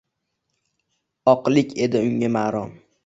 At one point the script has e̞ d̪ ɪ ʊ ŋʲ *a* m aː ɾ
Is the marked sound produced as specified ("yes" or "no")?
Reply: yes